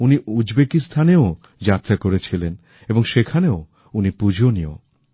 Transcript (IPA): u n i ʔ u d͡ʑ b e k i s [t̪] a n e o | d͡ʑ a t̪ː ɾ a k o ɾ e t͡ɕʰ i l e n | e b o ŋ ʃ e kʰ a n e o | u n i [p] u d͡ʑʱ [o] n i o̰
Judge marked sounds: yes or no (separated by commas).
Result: no, yes, yes